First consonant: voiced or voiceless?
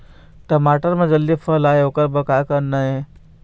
voiceless